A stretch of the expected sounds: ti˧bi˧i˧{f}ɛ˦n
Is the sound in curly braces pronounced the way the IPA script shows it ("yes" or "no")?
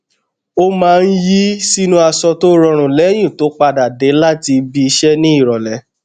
no